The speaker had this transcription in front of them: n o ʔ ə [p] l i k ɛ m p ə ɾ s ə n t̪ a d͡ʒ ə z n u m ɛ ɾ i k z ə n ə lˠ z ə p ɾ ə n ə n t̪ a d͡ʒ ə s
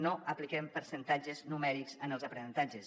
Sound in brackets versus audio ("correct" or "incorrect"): correct